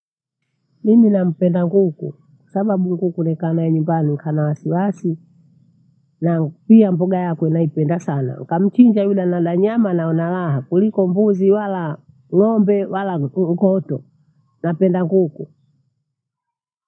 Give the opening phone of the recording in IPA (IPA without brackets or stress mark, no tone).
n